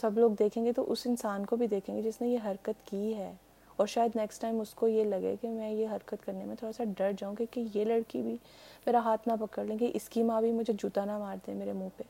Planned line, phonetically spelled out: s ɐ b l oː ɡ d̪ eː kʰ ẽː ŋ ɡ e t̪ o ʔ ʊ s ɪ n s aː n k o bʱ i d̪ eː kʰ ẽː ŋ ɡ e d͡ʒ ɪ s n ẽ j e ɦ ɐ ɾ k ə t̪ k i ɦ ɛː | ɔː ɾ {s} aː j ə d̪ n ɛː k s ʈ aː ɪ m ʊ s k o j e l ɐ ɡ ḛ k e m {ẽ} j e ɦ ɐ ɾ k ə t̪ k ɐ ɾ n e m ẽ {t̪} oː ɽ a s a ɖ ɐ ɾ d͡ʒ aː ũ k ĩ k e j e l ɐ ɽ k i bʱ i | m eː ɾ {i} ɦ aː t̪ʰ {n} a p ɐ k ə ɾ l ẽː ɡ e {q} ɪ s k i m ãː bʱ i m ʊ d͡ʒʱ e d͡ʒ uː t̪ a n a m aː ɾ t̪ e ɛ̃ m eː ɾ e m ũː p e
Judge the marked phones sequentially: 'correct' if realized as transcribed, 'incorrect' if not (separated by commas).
incorrect, incorrect, incorrect, incorrect, correct, incorrect